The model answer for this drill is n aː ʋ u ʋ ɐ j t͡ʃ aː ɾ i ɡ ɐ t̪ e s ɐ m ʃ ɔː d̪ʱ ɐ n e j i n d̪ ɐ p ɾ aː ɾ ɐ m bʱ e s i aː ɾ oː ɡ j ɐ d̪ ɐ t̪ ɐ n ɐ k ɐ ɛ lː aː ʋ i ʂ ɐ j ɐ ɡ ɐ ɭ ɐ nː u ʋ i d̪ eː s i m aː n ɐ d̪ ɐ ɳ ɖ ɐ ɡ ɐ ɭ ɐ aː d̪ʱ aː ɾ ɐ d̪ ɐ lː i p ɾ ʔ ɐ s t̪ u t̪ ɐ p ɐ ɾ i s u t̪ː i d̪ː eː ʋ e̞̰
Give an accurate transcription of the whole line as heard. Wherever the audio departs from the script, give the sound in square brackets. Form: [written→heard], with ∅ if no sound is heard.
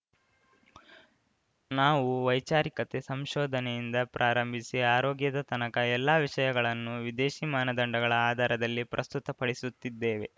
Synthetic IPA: n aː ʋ u ʋ ɐ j t͡ʃ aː ɾ i [ɡ→k] ɐ t̪ e s ɐ m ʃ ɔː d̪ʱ ɐ n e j i n d̪ ɐ p ɾ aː ɾ ɐ m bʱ [e→i] s i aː ɾ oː ɡ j ɐ d̪ ɐ t̪ ɐ n ɐ k ɐ ɛ lː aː ʋ i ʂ ɐ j ɐ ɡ ɐ ɭ ɐ nː u ʋ i d̪ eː [s→ʃ] i m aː n ɐ d̪ ɐ ɳ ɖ ɐ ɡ ɐ ɭ ɐ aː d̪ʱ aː ɾ ɐ d̪ ɐ lː i p ɾ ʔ ɐ s t̪ u t̪ ɐ p ɐ [ɾ→ɽ] i s u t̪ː i d̪ː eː ʋ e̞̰